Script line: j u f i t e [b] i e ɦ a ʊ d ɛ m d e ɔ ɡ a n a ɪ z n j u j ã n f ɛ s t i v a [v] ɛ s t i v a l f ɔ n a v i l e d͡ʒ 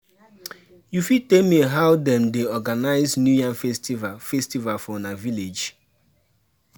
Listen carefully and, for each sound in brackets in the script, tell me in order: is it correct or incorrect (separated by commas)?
incorrect, incorrect